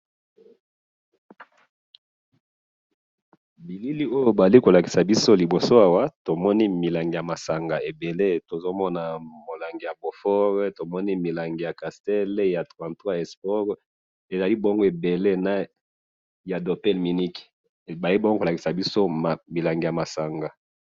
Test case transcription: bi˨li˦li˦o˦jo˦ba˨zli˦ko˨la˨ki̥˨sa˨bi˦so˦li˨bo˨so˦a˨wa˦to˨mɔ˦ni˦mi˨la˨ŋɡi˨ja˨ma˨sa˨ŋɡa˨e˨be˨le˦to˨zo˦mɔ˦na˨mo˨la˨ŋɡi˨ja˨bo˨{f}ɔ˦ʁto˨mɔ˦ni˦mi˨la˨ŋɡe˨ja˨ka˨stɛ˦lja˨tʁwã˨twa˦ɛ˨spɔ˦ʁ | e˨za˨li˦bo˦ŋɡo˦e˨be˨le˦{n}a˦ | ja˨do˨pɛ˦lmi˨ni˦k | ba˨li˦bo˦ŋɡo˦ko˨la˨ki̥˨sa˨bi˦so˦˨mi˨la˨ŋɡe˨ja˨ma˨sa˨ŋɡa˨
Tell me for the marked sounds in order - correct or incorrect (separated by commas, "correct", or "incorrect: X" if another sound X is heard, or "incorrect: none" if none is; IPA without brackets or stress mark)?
correct, correct